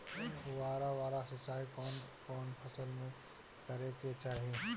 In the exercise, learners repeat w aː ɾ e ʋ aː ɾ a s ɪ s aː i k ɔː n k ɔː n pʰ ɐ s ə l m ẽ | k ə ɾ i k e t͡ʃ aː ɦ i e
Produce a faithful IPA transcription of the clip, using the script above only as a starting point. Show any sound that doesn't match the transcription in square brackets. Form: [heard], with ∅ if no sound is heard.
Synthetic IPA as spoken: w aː ɾ [a] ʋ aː ɾ a s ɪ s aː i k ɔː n k ɔː n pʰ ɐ s ə l m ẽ | k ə ɾ [e] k e t͡ʃ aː ɦ i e